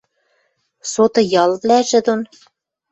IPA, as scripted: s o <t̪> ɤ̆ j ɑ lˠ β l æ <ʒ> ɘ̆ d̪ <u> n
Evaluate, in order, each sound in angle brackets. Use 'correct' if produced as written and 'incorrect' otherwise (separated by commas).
correct, correct, incorrect